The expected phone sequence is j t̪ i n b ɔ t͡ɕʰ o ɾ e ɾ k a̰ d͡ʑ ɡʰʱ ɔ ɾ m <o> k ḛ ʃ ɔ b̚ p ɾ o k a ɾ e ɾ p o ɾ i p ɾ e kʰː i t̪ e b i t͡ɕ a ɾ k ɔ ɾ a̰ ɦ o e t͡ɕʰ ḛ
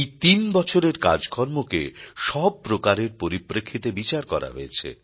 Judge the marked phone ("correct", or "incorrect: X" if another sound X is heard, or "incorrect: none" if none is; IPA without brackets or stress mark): correct